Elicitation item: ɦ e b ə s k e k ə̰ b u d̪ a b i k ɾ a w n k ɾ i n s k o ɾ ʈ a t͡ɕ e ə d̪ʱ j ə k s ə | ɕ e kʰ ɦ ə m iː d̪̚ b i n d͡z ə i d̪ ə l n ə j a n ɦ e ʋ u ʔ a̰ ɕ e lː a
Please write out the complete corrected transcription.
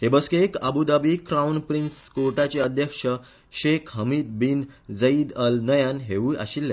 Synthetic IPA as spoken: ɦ e b ə s k e k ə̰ b u d̪ a b i k ɾ a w n p ɾ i n s k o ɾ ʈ a t͡ɕ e ə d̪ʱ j ə k ʂ ə | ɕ e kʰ ɦ ə m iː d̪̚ b i n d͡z ə i d̪ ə l n ə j a n ɦ e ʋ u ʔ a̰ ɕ i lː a